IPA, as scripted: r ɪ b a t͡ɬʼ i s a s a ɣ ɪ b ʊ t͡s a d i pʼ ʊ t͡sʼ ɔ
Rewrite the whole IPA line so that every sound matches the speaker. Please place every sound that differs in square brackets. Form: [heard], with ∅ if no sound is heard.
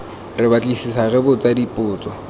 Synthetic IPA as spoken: r ɪ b a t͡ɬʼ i s [i] s a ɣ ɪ b ʊ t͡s a d i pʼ [ʊː] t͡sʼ ɔ